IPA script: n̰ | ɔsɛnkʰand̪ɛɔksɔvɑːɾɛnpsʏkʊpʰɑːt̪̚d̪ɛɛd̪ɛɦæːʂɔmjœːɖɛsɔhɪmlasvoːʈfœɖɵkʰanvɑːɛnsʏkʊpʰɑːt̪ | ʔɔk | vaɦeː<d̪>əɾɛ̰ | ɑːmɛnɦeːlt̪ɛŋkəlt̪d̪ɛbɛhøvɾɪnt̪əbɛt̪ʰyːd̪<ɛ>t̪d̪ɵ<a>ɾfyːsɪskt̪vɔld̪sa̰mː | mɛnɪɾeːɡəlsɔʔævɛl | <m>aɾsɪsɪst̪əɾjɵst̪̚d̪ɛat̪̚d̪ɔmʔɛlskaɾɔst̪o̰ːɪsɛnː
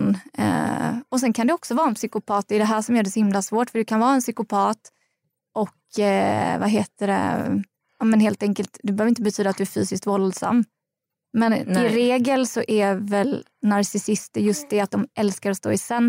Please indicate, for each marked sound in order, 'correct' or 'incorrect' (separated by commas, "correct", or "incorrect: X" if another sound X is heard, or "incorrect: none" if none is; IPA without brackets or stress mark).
incorrect: t̪, incorrect: a, incorrect: æ, incorrect: n